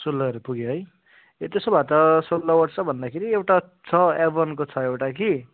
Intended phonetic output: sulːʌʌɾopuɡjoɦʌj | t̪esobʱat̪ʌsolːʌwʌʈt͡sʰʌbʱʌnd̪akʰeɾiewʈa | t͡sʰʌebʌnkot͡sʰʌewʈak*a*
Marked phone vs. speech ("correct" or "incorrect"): incorrect